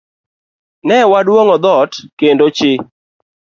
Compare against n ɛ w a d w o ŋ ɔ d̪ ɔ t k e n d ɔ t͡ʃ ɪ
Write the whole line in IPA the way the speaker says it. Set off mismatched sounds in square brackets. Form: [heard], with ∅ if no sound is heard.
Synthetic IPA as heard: n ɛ w a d w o ŋ ɔ d̪ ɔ t k e n d [o] t͡ʃ ɪ